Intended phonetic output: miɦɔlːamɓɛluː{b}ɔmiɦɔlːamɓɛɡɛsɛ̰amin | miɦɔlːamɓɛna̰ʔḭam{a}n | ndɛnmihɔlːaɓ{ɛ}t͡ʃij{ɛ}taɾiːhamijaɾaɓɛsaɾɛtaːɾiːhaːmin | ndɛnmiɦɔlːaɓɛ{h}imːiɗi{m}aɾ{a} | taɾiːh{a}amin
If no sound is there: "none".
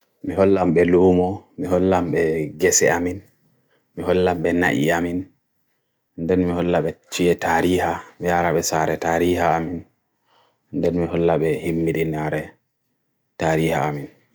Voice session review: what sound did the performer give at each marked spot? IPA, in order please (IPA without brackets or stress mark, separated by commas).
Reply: m, i, ɛ, ɛ, h, n, ɛ, a